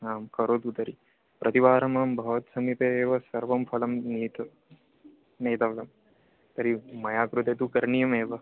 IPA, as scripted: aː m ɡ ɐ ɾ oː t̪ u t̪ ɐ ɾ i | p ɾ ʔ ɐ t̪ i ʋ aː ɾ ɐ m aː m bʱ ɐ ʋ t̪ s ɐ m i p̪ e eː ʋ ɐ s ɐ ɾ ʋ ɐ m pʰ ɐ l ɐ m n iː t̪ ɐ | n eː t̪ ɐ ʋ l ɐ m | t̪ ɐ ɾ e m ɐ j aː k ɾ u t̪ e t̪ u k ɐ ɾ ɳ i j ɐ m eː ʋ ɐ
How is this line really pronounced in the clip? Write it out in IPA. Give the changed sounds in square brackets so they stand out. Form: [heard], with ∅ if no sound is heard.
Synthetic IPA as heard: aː m [k] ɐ ɾ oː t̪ u t̪ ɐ ɾ i | p ɾ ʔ ɐ t̪ i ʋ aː ɾ ɐ m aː m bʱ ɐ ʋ t̪ s ɐ m i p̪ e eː ʋ ɐ s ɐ ɾ ʋ ɐ m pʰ ɐ l ɐ m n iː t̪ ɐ | n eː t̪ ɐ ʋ l ɐ m | t̪ ɐ ɾ [i] m ɐ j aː k ɾ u t̪ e t̪ u k ɐ ɾ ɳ i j ɐ m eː ʋ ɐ